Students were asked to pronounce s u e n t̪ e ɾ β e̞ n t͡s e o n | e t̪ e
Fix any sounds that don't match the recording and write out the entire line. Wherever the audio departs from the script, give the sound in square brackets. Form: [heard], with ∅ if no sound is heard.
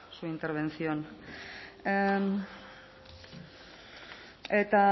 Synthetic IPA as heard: s u [i] n t̪ e ɾ β e̞ n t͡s [i] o n | e t̪ [a]